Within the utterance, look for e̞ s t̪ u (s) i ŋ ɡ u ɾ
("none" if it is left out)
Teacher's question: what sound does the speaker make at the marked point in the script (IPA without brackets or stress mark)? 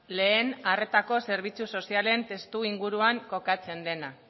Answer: none